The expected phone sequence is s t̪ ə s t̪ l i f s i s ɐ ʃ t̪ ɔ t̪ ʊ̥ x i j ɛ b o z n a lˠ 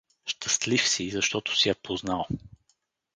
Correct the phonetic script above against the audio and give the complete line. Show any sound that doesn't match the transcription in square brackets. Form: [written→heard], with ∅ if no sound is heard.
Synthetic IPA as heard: [s→ʃ] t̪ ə s t̪ l i f s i [s→z] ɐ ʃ t̪ ɔ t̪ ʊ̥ [x→s] i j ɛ [b→p] o z n a lˠ